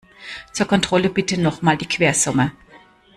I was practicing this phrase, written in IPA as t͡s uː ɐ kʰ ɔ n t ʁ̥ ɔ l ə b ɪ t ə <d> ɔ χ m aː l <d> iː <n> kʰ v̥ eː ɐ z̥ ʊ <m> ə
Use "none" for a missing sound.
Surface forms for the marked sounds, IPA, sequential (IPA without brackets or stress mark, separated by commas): n, d, none, m